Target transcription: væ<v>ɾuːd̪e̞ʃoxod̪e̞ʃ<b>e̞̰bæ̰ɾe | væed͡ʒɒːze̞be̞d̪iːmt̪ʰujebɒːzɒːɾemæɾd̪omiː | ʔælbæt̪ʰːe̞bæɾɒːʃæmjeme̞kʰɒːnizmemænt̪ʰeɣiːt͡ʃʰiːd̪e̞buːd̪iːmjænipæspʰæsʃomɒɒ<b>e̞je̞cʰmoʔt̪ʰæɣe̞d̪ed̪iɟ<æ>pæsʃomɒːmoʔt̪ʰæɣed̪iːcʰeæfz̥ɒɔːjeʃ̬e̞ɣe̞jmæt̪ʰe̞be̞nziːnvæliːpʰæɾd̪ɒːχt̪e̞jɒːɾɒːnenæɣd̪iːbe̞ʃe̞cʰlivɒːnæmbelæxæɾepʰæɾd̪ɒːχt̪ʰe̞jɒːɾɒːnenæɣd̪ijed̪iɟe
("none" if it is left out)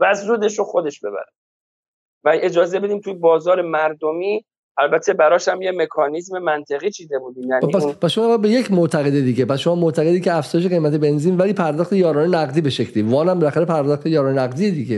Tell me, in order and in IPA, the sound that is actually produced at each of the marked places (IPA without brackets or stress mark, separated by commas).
z, b, b, e